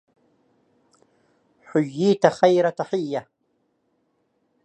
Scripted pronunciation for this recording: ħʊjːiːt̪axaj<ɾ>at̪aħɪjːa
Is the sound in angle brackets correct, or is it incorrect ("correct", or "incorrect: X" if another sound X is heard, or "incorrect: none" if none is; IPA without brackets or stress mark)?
correct